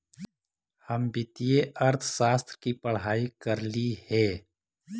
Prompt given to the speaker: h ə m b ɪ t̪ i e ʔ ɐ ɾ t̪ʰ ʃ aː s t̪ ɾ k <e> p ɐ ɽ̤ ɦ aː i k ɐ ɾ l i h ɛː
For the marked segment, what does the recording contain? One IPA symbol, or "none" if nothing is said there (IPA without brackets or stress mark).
i